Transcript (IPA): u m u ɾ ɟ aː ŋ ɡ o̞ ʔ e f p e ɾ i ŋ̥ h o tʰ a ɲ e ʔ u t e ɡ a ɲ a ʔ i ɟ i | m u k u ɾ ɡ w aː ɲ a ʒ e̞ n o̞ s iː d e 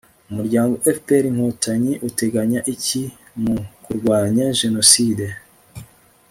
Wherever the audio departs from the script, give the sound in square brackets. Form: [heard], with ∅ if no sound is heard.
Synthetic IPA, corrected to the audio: u m u ɾ ɟ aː ŋ ɡ o̞ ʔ e f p e ɾ i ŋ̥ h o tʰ a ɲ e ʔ u t e ɡ a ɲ a ʔ i [c] i | m u k u ɾ ɡ w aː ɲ a ʒ e̞ n o̞ s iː d e